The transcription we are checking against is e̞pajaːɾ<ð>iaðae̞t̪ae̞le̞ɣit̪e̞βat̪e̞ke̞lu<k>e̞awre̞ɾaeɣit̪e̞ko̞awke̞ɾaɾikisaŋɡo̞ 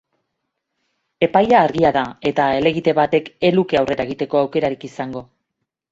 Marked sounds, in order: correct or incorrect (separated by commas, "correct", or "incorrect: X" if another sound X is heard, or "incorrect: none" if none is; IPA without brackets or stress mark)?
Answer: incorrect: ɣ, correct